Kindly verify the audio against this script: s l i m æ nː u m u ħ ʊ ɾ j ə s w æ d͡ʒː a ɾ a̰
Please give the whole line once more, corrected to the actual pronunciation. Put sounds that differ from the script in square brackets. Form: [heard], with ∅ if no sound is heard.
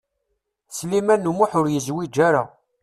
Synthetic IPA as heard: s l i m æ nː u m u ħ ʊ ɾ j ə [z] w [i] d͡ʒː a ɾ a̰